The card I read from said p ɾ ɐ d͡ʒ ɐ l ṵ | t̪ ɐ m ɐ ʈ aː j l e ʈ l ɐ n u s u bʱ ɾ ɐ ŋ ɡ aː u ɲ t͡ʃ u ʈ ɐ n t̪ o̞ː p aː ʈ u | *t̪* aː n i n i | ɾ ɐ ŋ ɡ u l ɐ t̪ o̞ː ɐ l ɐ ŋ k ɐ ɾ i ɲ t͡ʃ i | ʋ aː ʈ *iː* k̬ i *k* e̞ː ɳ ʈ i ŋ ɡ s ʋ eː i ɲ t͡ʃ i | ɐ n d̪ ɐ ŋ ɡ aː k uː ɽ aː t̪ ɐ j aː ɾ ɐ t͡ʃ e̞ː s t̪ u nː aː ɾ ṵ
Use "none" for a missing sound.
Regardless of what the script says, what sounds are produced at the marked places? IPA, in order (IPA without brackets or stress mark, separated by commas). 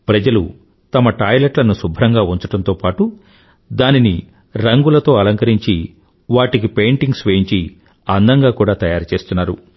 d̪, i, p